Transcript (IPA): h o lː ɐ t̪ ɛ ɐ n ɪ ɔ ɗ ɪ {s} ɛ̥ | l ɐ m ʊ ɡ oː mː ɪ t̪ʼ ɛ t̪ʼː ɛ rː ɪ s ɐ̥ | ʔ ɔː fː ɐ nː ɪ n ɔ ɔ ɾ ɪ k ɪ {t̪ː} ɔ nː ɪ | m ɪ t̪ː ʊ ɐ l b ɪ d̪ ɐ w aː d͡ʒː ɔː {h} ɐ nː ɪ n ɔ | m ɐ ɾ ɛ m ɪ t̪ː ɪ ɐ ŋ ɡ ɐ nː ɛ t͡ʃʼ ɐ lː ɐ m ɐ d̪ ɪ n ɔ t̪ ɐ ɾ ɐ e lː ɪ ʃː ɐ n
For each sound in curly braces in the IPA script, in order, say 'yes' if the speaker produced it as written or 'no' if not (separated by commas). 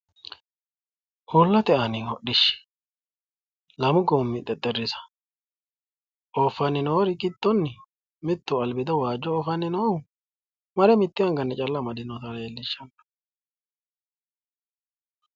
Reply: no, yes, no